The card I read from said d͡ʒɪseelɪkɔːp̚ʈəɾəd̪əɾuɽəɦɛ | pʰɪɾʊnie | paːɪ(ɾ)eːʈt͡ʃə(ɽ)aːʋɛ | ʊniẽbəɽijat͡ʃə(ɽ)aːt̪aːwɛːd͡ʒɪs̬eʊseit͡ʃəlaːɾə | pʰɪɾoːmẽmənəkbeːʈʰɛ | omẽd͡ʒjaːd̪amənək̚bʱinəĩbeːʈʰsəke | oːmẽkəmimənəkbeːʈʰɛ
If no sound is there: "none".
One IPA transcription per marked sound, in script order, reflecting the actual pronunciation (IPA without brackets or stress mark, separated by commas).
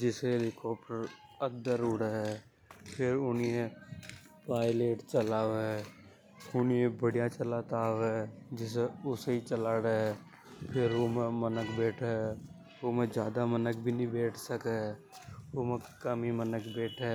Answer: l, l, l